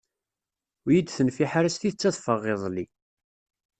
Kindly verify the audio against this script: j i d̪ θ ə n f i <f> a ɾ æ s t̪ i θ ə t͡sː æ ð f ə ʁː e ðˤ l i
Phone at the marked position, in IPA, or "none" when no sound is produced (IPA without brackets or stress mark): ħ